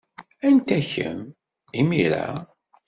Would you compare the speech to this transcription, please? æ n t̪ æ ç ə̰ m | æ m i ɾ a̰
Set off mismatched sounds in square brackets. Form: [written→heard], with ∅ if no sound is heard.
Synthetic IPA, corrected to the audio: æ n t̪ æ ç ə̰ m | [æ→i] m i ɾ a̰